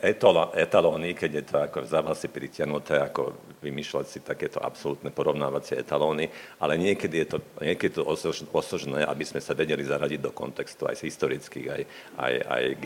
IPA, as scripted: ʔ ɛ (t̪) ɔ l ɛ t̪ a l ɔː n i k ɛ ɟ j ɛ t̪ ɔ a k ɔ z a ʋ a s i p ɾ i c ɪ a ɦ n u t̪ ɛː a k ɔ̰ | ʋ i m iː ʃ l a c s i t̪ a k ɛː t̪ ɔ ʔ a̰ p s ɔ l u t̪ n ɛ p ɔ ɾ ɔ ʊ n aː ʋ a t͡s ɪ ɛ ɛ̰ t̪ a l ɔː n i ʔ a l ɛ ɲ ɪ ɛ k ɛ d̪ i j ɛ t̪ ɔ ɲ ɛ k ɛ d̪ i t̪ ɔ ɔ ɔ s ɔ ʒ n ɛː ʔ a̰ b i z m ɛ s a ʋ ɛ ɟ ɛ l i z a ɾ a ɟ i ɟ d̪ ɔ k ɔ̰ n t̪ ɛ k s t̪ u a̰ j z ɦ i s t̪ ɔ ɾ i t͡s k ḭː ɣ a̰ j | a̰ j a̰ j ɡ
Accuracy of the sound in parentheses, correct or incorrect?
correct